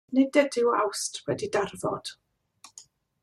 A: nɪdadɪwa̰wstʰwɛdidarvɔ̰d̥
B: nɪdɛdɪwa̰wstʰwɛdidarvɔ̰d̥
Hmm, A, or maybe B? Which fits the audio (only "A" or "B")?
B